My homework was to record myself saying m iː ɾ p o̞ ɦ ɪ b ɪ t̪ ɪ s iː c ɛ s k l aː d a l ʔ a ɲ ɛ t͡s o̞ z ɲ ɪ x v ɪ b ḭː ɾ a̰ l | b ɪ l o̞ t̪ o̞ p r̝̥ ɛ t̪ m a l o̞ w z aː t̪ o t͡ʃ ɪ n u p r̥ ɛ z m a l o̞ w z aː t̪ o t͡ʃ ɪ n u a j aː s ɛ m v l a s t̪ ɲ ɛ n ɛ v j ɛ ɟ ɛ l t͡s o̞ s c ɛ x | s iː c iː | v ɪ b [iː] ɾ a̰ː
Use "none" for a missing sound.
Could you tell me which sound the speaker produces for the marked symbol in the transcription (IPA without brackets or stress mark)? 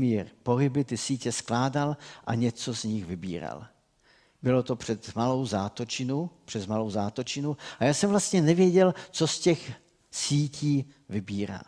iː